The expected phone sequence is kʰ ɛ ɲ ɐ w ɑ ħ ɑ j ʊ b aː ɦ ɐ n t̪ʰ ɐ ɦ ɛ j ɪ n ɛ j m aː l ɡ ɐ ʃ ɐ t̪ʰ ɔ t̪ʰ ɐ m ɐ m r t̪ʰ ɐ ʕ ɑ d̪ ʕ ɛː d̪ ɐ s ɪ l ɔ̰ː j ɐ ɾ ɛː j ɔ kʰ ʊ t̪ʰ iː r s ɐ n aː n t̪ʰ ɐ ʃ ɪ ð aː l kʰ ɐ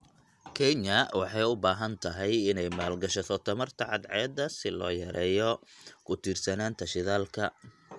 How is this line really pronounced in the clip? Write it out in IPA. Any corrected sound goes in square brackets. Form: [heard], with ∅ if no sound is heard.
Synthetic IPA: kʰ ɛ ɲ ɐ w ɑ ħ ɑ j ʊ b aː ɦ ɐ n t̪ʰ ɐ ɦ ɛ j ɪ n ɛ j m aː l ɡ ɐ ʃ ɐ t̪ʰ ɔ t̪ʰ ɐ m ɐ [∅] r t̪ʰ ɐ ʕ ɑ d̪ ʕ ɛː d̪ ɐ s ɪ l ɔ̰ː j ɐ ɾ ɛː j ɔ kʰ ʊ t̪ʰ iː r s ɐ n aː n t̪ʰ ɐ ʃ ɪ ð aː l kʰ ɐ